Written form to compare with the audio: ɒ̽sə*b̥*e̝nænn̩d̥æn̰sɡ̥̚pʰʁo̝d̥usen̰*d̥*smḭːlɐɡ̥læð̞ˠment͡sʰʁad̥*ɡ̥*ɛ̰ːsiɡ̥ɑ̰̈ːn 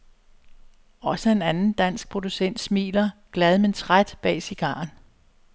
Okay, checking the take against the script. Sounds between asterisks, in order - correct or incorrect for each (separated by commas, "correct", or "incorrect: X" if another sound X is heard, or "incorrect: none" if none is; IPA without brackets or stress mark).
incorrect: none, correct, incorrect: b̥